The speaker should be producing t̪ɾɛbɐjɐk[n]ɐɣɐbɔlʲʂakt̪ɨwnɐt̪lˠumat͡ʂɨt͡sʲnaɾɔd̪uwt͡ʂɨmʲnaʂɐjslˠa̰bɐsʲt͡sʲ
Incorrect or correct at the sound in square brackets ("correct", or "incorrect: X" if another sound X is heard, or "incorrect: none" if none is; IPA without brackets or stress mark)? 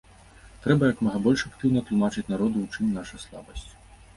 incorrect: m